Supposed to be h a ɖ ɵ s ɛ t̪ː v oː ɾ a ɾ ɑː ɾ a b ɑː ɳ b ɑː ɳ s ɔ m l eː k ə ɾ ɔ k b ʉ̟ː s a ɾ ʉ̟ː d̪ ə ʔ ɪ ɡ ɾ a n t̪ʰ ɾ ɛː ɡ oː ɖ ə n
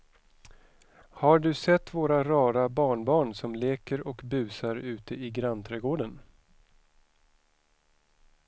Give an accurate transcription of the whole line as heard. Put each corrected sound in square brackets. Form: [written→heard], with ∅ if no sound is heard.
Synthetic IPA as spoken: h a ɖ ɵ s ɛ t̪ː v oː ɾ a ɾ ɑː ɾ a b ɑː ɳ b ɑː ɳ s ɔ m l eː k ə ɾ ɔ k b ʉ̟ː s a ɾ ʉ̟ː [d̪→t̪] ə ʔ ɪ ɡ ɾ a n t̪ʰ ɾ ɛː ɡ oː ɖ ə n